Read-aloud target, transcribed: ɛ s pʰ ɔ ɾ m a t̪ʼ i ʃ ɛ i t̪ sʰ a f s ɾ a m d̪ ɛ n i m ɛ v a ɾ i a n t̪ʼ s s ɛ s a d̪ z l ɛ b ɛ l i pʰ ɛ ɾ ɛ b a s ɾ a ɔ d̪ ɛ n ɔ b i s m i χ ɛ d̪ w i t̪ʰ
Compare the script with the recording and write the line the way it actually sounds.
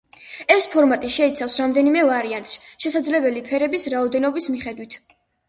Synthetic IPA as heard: ɛ s pʰ ɔ ɾ m a t̪ʼ i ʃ ɛ i t̪ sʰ a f s ɾ a m d̪ ɛ n i m ɛ v a ɾ i a n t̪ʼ s ʃ ɛ s a d̪ z l ɛ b ɛ l i pʰ ɛ ɾ ɛ b i s ɾ a ɔ d̪ ɛ n ɔ b i s m i χ ɛ d̪ w i t̪ʰ